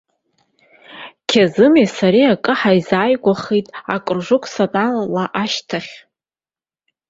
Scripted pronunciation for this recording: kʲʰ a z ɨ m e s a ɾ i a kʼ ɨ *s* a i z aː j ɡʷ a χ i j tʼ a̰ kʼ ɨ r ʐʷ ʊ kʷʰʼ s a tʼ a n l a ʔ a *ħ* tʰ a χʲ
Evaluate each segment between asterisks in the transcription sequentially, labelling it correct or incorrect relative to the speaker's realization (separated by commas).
incorrect, incorrect